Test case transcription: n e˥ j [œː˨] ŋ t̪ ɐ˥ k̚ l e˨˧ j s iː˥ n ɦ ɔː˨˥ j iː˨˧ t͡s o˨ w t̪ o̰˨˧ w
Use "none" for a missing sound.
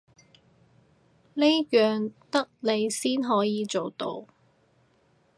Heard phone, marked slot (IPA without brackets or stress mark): œː˨